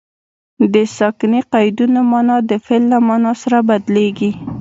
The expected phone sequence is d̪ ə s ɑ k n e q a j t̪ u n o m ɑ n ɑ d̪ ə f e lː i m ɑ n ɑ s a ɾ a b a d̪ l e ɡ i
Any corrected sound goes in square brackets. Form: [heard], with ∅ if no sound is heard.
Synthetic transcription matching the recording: d̪ ə s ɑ k n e q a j [d̪] u n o m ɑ n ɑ d̪ ə f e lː [a] m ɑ n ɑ s a ɾ a b a d̪ l e ɡ i